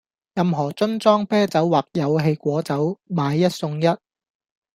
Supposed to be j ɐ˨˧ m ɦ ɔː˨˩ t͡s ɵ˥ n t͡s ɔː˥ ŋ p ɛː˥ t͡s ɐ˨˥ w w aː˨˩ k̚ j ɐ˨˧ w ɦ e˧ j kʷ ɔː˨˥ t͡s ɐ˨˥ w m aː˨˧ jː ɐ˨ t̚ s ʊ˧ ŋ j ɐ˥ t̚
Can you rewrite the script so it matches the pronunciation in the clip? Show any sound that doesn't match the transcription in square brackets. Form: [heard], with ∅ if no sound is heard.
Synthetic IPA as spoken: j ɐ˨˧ m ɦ ɔː˨˩ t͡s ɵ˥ n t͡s ɔː˥ ŋ p ɛː˥ t͡s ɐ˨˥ w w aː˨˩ k̚ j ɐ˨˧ w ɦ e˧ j kʷ ɔː˨˥ t͡s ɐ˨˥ w m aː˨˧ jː [ɐ˥] t̚ s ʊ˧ ŋ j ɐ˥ t̚